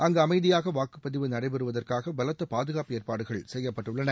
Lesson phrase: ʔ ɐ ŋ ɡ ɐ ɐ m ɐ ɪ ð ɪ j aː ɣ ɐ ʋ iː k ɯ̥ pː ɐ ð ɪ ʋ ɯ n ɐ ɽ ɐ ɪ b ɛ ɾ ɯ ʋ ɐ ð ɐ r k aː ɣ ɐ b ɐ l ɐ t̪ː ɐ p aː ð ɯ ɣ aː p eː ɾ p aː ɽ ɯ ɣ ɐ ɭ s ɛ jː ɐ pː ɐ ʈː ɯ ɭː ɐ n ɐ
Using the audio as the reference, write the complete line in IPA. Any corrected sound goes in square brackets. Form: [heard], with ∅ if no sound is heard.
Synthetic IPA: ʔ ɐ ŋ ɡ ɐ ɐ m ɐ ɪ ð ɪ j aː ɣ ɐ ʋ [aː] k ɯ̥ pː ɐ ð ɪ ʋ ɯ n ɐ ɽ ɐ ɪ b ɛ ɾ ɯ ʋ ɐ ð ɐ r k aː ɣ ɐ b ɐ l ɐ t̪ː ɐ p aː ð ɯ ɣ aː p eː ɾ p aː ɽ ɯ ɣ ɐ ɭ s ɛ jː ɐ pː ɐ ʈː ɯ ɭː ɐ n ɐ

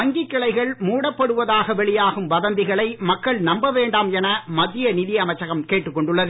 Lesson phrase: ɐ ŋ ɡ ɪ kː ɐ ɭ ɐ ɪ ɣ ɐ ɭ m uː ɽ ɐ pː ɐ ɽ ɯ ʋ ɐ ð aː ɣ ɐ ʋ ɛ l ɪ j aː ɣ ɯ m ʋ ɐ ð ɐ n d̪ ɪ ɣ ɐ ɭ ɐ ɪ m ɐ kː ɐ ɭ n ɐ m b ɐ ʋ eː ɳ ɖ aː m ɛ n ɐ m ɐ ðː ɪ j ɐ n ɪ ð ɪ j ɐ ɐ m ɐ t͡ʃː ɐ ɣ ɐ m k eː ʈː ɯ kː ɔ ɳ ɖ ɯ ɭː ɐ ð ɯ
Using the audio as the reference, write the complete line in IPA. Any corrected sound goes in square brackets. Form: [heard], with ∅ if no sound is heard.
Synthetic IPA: ɐ ŋ ɡ ɪ kː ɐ ɭ ɐ ɪ ɣ ɐ ɭ m uː ɽ ɐ pː ɐ ɽ ɯ ʋ ɐ ð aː ɣ ɐ ʋ ɛ [ɭ] ɪ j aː ɣ ɯ m ʋ ɐ ð ɐ n d̪ ɪ ɣ ɐ ɭ ɐ ɪ m ɐ kː ɐ ɭ n ɐ m b ɐ ʋ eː ɳ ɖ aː m ɛ n ɐ m ɐ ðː ɪ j ɐ n ɪ ð ɪ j ɐ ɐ m ɐ t͡ʃː ɐ ɣ ɐ m k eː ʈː ɯ kː ɔ ɳ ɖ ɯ ɭː ɐ ð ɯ

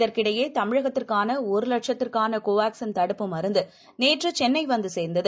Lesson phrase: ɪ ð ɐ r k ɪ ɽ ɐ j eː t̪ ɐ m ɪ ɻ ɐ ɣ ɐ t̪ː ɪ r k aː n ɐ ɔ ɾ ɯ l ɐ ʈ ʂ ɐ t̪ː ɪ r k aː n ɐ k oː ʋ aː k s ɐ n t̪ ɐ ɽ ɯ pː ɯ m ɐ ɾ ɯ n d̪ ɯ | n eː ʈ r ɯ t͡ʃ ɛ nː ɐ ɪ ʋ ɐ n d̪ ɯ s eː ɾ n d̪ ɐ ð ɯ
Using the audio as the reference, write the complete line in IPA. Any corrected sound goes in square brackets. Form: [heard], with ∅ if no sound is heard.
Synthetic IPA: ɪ ð ɐ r k ɪ ɽ ɐ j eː t̪ ɐ m ɪ ɻ ɐ ɣ ɐ t̪ː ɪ r k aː n ɐ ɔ ɾ ɯ l ɐ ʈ ʂ ɐ t̪ː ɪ r k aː n ɐ k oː ʋ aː k s ɐ n t̪ ɐ ɽ ɯ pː ɯ m ɐ ɾ ɯ n d̪ ɯ | n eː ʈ r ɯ t͡ʃ ɛ nː ɐ ɪ ʋ ɐ n d̪ ɯ s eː ɾ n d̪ ɐ ð ɯ

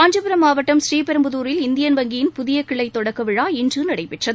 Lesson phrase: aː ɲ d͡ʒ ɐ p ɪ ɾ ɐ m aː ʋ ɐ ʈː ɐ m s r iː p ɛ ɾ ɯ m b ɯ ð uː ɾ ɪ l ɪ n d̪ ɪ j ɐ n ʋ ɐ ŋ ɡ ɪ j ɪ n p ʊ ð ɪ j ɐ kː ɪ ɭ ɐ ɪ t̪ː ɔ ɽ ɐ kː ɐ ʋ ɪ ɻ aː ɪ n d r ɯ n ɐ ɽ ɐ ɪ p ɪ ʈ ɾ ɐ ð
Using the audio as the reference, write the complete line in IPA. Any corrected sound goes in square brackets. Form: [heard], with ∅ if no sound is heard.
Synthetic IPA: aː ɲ d͡ʒ ɐ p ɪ ɾ ɐ m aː ʋ ɐ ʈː ɐ m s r iː p ɛ ɾ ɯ m b ɯ ð uː ɾ ɪ l ɪ n d̪ ɪ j ɐ n ʋ ɐ ŋ ɡ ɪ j ɪ n p ʊ ð ɪ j ɐ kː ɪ ɭ ɐ ɪ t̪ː ɔ ɽ ɐ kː ɐ ʋ ɪ ɻ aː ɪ n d r ɯ n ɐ ɽ ɐ ɪ p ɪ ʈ [r] ɐ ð

